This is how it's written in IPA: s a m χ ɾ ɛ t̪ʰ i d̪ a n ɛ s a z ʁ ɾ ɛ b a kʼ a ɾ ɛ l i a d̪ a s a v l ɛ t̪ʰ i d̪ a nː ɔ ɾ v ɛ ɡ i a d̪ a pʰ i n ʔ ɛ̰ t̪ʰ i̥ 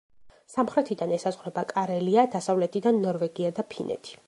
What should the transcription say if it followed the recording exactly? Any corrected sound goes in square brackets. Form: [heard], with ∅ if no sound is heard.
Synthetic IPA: s a m χ ɾ ɛ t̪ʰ i d̪ a n ɛ s a z ʁ ɾ ɛ b a kʼ a ɾ ɛ l i a d̪ a s a v l ɛ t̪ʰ i d̪ a nː ɔ ɾ v ɛ ɡ i a d̪ a pʰ i n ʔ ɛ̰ t̪ʰ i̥